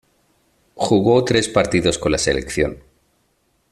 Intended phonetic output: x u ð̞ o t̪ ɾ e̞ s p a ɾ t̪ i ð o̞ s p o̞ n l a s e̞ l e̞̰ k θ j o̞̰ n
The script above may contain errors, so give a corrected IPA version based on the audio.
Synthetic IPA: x u ɣ̞ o t̪ ɾ e̞ s p a ɾ t̪ i ð o̞ s k o̞ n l a s e̞ l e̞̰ k θ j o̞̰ n